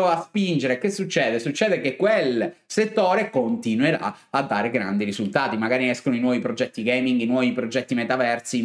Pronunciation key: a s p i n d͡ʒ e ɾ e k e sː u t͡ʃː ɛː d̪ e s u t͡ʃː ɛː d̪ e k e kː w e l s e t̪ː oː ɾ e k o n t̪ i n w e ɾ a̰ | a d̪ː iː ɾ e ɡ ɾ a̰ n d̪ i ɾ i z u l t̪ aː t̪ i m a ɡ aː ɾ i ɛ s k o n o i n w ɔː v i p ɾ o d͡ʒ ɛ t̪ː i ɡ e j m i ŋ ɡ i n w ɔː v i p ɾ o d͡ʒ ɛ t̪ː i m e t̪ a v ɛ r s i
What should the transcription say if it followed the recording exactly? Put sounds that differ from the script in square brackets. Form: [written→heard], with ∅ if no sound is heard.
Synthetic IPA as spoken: a s p i n d͡ʒ e ɾ e k e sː u t͡ʃː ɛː d̪ e s u t͡ʃː ɛː d̪ e k e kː w e l s e t̪ː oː ɾ e k o n t̪ i n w e ɾ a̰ | a d̪ː [iː→aː] ɾ e ɡ ɾ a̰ n d̪ i ɾ i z u l t̪ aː t̪ i m a ɡ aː ɾ i ɛ s k o n o i n w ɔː v i p ɾ o d͡ʒ ɛ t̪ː i ɡ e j m i ŋ ɡ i n w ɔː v i p ɾ o d͡ʒ ɛ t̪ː i m e t̪ a v ɛ r s i